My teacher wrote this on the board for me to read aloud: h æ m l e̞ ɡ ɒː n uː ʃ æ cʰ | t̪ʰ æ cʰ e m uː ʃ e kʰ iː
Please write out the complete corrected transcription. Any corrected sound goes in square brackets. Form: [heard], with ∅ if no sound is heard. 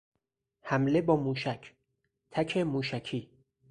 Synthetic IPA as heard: h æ m l e̞ [b] ɒː [m] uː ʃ æ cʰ | t̪ʰ æ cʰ e m uː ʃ [æ] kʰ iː